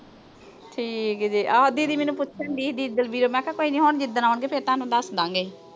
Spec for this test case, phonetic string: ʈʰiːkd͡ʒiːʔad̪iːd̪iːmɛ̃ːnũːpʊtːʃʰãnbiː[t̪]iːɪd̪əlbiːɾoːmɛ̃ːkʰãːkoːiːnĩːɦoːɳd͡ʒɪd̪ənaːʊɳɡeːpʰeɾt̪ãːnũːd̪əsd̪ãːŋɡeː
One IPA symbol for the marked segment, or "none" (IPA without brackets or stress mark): d̪